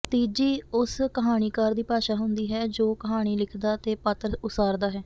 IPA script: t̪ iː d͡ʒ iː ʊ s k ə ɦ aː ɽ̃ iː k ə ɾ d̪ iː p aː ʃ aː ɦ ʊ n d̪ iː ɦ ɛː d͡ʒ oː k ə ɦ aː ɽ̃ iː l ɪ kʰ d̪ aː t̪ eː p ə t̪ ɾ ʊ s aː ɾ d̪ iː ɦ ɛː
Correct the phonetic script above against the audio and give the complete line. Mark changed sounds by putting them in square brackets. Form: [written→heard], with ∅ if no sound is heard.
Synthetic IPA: t̪ iː d͡ʒ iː ʊ s k ə ɦ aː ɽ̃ iː k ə ɾ d̪ iː p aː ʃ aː ɦ ʊ n d̪ iː ɦ ɛː d͡ʒ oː k ə ɦ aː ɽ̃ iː l ɪ kʰ d̪ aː t̪ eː p ə t̪ ɾ ʊ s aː ɾ d̪ [iː→aː] ɦ ɛː